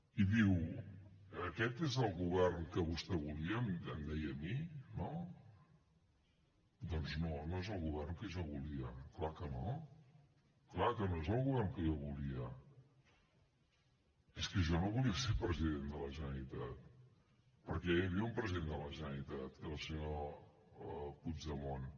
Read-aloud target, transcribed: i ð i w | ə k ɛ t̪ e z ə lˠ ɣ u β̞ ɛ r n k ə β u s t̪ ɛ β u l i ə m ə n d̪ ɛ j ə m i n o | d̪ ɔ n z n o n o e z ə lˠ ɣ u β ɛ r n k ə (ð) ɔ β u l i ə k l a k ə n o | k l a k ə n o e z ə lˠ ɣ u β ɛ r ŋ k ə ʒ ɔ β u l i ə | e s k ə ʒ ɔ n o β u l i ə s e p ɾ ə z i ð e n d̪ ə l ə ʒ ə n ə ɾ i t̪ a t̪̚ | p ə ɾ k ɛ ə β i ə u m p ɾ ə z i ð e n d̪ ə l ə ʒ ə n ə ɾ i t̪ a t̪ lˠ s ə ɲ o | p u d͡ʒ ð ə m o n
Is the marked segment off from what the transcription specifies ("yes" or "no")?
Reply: yes